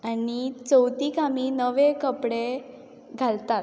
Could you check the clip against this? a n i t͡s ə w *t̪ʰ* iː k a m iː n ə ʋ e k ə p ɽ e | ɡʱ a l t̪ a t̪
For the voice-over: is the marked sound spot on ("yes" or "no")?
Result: no